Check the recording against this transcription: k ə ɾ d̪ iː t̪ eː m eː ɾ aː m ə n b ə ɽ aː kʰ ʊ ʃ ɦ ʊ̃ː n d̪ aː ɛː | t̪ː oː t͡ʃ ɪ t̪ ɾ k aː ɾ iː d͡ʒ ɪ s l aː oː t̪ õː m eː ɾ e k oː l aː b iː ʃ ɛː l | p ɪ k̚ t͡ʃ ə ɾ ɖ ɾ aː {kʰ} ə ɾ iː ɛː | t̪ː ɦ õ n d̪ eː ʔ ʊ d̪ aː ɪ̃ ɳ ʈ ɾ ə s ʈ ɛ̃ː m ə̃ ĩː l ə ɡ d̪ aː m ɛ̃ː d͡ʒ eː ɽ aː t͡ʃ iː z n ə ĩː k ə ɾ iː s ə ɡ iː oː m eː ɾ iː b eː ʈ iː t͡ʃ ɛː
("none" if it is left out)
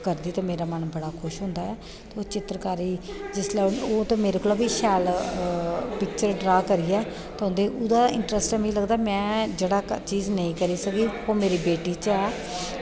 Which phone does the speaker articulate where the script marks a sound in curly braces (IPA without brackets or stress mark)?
k